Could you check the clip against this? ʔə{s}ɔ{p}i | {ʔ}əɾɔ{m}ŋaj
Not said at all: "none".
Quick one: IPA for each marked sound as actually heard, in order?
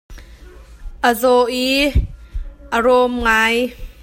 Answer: z, ʔ, ʔ, m

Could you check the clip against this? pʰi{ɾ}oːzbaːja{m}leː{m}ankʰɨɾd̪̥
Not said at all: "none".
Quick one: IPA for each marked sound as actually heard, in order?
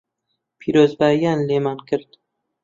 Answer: ɾ, n, m

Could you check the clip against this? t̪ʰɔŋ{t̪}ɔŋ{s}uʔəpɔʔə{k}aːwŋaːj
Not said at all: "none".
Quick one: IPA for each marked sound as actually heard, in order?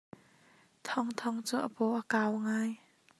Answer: t̪ʰ, t͡s, k

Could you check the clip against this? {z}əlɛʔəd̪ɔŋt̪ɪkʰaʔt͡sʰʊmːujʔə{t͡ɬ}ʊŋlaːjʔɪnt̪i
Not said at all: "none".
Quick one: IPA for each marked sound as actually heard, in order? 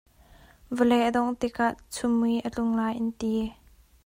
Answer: v, t͡ɬ

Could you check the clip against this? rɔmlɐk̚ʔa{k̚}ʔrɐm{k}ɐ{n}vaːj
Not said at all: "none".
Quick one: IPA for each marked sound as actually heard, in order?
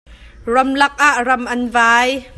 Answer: none, ʔ, n

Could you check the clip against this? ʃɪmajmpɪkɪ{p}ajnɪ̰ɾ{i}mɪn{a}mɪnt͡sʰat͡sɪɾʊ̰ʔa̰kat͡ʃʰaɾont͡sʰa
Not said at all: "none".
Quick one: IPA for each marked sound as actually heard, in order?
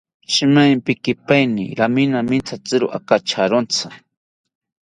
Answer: p, a, a

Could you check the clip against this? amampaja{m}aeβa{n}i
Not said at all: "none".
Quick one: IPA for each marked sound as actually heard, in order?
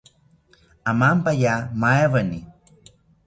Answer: m, n

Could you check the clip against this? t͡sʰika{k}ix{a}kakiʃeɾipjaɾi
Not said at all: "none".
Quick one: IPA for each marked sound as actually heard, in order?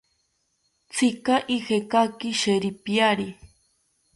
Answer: ʔ, e

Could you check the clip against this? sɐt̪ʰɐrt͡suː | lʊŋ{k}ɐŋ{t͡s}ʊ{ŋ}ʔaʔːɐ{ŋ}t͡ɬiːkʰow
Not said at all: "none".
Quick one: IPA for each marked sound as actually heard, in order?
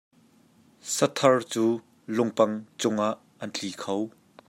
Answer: p, t͡s, ŋ, n

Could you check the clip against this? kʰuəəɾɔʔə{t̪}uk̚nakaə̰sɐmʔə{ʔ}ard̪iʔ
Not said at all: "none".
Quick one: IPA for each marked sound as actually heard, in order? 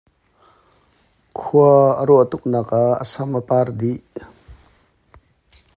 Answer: t̪, p

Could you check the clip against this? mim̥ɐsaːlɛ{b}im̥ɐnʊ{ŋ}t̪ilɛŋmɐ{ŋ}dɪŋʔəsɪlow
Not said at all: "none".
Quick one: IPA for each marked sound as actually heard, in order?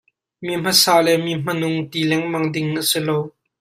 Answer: m, ŋ, ŋ

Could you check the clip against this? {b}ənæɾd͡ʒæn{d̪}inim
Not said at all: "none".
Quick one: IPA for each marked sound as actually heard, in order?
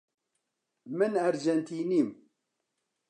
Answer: m, t̪

